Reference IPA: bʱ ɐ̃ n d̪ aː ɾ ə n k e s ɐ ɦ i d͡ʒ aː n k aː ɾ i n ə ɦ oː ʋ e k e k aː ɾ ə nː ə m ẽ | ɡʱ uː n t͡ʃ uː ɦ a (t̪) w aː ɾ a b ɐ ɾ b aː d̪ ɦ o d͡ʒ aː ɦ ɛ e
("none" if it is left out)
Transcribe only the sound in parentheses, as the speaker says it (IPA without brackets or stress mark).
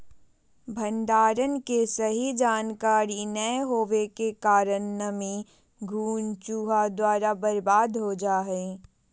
d̪